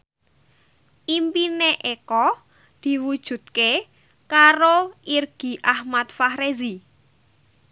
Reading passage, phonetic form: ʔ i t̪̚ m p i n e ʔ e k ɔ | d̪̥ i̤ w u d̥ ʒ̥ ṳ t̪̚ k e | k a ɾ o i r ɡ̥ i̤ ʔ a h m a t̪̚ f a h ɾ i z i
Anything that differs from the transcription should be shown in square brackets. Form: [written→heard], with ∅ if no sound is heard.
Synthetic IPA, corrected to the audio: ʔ i [t̪̚→∅] m p i n e ʔ e k ɔ | d̪̥ i̤ w u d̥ ʒ̥ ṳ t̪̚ k e | k a ɾ o i r ɡ̥ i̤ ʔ a h m a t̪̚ f a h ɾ [i→e] z i

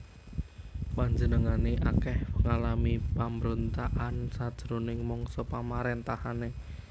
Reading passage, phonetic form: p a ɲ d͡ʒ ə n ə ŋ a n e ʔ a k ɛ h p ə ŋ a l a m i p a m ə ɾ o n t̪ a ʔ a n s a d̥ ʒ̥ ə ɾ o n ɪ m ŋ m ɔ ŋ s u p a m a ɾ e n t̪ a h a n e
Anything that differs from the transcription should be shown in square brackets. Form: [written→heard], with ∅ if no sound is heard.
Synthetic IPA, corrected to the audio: p a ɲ d͡ʒ ə n ə ŋ a n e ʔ a k ɛ h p ə ŋ a l a m i p a m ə ɾ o n t̪ a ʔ a n s a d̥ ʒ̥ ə ɾ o n ɪ [m→∅] ŋ m ɔ ŋ s [u→ɔ] p a m a ɾ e n t̪ a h a n e

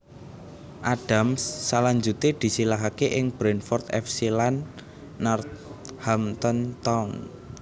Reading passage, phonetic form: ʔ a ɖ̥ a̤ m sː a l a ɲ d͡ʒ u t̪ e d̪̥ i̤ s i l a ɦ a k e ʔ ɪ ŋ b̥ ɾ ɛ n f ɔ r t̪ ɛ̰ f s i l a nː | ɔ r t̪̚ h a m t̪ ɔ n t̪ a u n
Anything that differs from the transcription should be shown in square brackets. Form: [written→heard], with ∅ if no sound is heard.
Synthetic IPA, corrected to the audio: ʔ a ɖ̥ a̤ m sː a l a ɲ d͡ʒ u t̪ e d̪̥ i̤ s i l a ɦ a k e ʔ ɪ ŋ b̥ ɾ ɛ n f ɔ r t̪ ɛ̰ f s i l a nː | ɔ r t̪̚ h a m t̪ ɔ n t̪ a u n

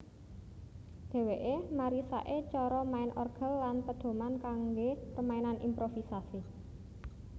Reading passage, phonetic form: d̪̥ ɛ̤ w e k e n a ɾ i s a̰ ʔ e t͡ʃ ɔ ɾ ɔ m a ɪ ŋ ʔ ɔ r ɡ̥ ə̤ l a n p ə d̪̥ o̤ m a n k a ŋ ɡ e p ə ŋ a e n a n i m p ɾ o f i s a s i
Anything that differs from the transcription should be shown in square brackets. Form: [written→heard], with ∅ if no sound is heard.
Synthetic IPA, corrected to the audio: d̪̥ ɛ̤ w e [k→ʔ] e [n→m] a ɾ i s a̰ ʔ e t͡ʃ ɔ ɾ ɔ m a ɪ [ŋ→n] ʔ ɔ r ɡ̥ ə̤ [l→lː] a n p ə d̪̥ o̤ m a n k a ŋ ɡ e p ə [ŋ→m] a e n a n i m p ɾ o f i s a s i

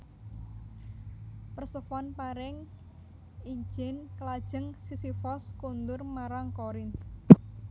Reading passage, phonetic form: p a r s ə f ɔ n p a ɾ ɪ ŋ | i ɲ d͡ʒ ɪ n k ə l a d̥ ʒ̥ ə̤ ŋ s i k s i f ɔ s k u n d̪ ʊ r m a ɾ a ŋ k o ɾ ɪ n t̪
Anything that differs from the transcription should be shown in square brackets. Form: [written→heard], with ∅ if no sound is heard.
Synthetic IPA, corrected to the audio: p [a→ə] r s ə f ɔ n p a ɾ ɪ ŋ | i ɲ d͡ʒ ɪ n k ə l a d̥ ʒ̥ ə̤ ŋ s i [k→∅] s i f ɔ s k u n d̪ ʊ r m a ɾ a ŋ k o ɾ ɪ n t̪

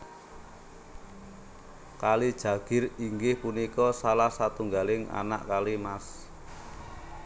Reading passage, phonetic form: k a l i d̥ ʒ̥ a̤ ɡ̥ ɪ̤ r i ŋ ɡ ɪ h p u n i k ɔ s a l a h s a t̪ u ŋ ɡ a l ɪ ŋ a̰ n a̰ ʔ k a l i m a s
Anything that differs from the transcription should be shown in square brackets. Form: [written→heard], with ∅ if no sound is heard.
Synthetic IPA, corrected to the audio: k a l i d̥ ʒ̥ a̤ ɡ̥ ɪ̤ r i ŋ ɡ ɪ h p u n i k ɔ s a l a h s a t̪ u ŋ ɡ a l ɪ ŋ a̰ n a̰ ʔ k a l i m a s

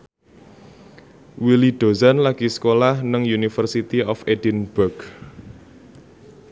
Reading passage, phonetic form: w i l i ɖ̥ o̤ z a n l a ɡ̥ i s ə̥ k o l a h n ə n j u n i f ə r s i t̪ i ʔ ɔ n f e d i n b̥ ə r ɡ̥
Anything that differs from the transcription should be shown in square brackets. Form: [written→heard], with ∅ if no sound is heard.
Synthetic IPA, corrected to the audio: w i l i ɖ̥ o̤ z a n l a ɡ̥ i s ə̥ k o l a h n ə [n→ŋ] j u n i f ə r s i t̪ i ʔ ɔ [n→∅] f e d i n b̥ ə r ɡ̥

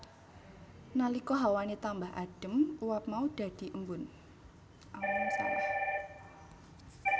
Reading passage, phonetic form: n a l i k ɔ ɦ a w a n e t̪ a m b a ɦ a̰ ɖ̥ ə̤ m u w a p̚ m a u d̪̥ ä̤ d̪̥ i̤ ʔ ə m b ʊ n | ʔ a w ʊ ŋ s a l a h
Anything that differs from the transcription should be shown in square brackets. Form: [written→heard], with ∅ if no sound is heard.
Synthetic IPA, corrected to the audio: n a l i k ɔ ɦ a w a n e t̪ a m b a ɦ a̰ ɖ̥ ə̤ m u w a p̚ m a u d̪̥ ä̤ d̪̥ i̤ ʔ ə m b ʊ n | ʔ a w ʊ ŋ s a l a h

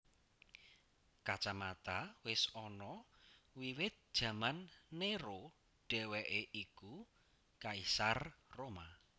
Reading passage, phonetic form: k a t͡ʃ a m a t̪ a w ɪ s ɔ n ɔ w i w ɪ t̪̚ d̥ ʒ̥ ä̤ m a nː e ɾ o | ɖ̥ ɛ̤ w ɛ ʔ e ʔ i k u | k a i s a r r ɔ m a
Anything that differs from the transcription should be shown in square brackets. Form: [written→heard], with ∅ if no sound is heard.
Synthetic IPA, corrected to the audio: k a t͡ʃ a m a t̪ a w ɪ s ɔ n ɔ w i w ɪ t̪̚ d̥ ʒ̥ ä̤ m a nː e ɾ o | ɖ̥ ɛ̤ w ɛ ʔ e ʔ i k u | k a i s a r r [ɔ→o] m a

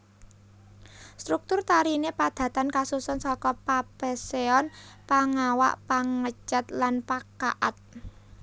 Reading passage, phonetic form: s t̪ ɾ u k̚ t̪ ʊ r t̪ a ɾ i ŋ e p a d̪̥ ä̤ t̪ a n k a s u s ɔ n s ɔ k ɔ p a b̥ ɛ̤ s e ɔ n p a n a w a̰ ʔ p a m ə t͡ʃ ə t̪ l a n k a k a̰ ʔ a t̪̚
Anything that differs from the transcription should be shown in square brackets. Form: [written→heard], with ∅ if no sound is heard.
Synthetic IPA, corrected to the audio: s t̪ ɾ u k̚ t̪ ʊ r t̪ a ɾ i [ŋ→n] e p a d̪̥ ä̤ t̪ a n k a s u s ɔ n s ɔ k ɔ p a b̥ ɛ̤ s e ɔ n p a [n→ŋ] a w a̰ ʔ p a [m→ŋ] ə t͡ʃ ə t̪ l a n [k→p] a k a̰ ʔ a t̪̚

